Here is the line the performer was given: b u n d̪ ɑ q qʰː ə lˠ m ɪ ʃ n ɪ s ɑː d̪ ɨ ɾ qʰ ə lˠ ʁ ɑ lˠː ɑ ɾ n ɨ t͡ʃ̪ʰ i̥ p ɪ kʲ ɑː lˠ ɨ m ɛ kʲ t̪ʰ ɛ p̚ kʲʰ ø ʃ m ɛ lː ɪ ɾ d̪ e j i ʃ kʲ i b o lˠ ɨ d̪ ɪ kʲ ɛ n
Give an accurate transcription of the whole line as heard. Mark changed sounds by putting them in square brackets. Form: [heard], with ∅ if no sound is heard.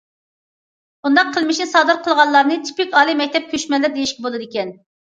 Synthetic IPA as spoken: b u n d̪ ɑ q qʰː ə lˠ m ɪ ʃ n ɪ s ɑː d̪ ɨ ɾ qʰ ə lˠ ʁ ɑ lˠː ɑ ɾ n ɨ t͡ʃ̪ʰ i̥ p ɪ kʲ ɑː lˠ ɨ m ɛ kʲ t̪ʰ ɛ p̚ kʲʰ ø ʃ m ɛ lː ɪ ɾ d̪ e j i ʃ kʲ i b o lˠ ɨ d̪ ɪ kʲ ɛ n